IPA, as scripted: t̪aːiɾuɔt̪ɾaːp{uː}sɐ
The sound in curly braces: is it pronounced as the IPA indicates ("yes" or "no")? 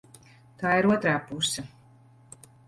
no